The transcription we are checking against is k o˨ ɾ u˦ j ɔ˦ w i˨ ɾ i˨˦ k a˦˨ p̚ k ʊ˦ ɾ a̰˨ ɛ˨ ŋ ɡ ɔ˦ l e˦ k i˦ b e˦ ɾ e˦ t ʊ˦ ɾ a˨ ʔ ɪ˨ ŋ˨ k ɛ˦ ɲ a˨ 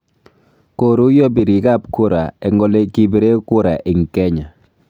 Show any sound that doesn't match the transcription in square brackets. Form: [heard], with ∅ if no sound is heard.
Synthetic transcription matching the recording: k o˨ ɾ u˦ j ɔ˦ [b] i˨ ɾ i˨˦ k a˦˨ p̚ k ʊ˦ ɾ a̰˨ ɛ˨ ŋ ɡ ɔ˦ l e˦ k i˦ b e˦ ɾ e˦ [k] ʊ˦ ɾ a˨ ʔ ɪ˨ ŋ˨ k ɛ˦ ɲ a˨